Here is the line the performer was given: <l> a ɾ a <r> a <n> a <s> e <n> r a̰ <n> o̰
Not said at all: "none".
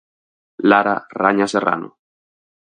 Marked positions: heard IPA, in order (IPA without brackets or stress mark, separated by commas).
l, r, ɲ, s, none, n